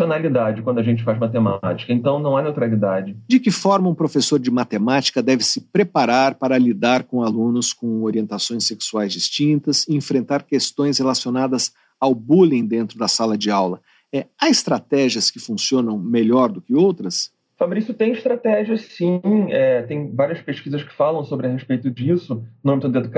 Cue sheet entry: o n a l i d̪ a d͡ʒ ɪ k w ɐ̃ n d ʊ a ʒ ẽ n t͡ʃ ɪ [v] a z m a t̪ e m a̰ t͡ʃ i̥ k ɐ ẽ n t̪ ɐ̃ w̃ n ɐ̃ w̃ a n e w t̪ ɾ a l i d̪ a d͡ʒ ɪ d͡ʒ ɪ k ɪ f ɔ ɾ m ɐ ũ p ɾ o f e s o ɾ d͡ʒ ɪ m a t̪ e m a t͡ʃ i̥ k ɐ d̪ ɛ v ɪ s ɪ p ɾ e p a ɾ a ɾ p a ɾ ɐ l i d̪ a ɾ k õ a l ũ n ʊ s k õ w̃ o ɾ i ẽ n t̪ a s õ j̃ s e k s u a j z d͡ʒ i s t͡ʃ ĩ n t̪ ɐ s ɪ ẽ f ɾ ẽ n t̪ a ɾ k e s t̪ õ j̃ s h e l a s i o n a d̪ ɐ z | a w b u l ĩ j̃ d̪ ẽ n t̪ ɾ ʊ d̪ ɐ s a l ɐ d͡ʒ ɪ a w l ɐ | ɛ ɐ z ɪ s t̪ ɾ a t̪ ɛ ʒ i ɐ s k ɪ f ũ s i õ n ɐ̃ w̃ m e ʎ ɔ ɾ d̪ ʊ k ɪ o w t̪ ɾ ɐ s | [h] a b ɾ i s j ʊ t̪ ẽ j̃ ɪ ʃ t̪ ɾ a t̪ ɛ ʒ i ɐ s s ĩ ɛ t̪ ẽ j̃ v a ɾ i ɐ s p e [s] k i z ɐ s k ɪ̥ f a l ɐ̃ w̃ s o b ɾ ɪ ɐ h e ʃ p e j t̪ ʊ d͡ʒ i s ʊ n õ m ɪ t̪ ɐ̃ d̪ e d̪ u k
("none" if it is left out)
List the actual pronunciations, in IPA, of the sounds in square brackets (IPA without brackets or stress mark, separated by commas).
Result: f, f, ʃ